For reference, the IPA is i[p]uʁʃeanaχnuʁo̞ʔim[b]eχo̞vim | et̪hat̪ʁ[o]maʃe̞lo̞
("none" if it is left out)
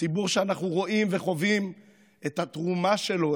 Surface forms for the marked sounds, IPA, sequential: b, v, u

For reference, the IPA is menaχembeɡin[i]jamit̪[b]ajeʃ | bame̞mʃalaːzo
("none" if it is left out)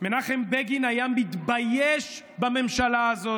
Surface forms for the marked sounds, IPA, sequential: a, b

